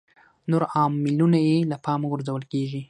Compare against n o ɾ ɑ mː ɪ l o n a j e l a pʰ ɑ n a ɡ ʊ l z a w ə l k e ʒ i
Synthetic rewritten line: n o ɾ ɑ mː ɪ l u n a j e l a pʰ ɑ m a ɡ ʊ ɾ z a w ə l k e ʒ i